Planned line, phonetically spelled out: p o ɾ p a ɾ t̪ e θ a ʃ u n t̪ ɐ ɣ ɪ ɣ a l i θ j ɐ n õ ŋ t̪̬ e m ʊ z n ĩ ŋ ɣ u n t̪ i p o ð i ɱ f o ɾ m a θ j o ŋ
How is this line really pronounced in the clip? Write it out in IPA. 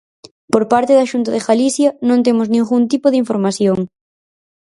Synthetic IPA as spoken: p o ɾ p a ɾ t̪ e ð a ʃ u n t̪ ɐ ð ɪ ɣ a l i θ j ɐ n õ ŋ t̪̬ e m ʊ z n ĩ ŋ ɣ u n t̪ i p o ð i ɱ f o ɾ m a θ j o ŋ

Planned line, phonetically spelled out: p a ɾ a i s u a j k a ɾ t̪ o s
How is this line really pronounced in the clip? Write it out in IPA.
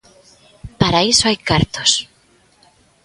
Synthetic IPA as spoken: p a ɾ a i s o a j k a ɾ t̪ o s

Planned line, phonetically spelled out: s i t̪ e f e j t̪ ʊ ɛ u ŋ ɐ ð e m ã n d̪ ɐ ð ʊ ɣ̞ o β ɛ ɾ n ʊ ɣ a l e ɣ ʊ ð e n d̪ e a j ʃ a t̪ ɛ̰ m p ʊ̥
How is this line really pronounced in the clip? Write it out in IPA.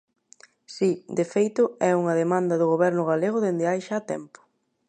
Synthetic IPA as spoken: s i d̪ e f e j t̪ ʊ ɛ u ŋ ɐ ð e m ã n d̪ ɐ ð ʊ ɣ̞ o β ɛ ɾ n ʊ ɣ a l e ɣ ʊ ð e n d̪ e a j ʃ a t̪ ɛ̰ m p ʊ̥

